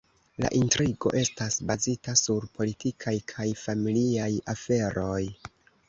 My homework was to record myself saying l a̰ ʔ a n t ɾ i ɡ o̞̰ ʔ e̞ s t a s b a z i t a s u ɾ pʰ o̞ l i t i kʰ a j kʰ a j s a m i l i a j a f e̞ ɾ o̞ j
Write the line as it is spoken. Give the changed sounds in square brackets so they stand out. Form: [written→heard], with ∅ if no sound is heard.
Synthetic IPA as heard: l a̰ ʔ [a→i] n t ɾ i ɡ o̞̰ ʔ e̞ s t a s b a z i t a s u ɾ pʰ o̞ l i t i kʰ a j kʰ a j [s→f] a m i l i a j a f e̞ ɾ o̞ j